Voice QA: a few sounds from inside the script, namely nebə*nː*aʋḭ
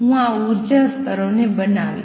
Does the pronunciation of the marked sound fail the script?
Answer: yes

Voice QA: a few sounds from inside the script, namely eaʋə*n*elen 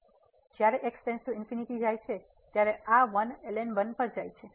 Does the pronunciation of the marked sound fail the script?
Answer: no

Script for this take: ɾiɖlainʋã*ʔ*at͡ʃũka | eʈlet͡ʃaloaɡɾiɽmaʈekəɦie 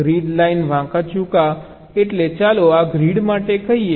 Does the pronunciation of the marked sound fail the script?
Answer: yes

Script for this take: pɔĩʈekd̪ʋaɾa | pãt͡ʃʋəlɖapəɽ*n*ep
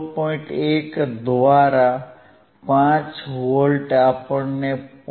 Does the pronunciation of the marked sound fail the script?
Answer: no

